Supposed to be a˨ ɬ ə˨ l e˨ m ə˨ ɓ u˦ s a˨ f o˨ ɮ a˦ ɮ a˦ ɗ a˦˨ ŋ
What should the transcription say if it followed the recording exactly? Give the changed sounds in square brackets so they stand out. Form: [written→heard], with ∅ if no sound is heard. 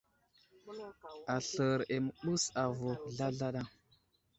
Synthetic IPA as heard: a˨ ɬ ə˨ [l→ɾ] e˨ m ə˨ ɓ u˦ s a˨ [f→v] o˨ ɮ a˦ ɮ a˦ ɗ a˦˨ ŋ